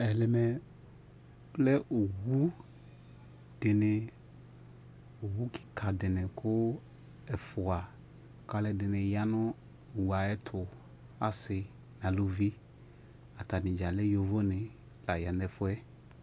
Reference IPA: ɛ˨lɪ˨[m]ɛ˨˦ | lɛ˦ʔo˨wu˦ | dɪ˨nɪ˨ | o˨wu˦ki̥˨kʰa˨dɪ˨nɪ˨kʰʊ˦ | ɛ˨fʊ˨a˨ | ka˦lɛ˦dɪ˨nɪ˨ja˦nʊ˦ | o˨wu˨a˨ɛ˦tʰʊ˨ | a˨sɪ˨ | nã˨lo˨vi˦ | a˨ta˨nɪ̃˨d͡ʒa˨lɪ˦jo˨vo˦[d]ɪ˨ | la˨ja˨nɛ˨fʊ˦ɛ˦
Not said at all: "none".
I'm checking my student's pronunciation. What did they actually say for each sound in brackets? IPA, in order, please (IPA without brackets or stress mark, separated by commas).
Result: m, n